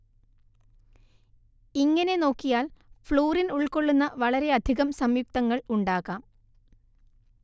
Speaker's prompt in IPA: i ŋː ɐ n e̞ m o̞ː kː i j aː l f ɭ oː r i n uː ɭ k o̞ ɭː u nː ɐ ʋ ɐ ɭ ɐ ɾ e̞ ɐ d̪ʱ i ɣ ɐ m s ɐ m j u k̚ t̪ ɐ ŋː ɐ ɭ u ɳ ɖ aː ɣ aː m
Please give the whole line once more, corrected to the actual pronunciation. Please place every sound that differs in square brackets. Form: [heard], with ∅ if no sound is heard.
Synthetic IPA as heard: i ŋː ɐ n e̞ [n] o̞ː kː i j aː l f ɭ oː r i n [u] ɭ k o̞ ɭː u nː ɐ ʋ ɐ ɭ ɐ ɾ e̞ ɐ d̪ʱ i ɣ ɐ m s ɐ m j u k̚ t̪ ɐ ŋː ɐ ɭ u ɳ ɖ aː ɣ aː m